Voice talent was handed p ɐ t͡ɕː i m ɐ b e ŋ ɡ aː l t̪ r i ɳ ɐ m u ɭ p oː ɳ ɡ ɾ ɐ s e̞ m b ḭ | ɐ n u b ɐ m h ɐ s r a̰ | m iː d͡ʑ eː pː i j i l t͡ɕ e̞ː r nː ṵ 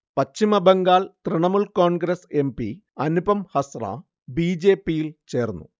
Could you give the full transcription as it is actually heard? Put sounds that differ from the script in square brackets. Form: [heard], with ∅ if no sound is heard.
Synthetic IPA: p ɐ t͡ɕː i m ɐ b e ŋ ɡ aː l t̪ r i ɳ ɐ m u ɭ [k] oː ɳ ɡ ɾ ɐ s e̞ m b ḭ | ɐ n u b ɐ m h ɐ s r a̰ | [b] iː d͡ʑ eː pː i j i l t͡ɕ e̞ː r nː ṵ